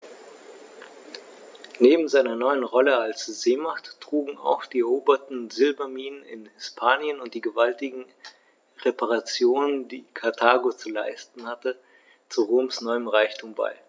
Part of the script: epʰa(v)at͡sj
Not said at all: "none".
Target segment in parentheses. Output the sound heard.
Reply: ʁ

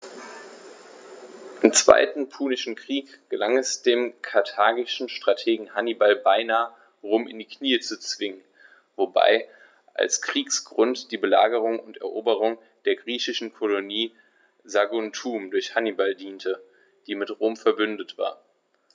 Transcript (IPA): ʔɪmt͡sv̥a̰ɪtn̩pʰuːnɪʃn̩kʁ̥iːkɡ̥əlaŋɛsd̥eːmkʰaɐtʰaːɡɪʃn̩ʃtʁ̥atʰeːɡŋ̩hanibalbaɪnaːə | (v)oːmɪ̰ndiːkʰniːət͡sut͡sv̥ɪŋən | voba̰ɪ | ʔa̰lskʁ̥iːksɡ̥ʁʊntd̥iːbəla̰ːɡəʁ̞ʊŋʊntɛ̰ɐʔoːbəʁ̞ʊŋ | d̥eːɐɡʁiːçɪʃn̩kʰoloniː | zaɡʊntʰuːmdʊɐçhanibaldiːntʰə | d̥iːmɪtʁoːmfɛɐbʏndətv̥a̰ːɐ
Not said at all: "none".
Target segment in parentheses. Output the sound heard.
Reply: ʁ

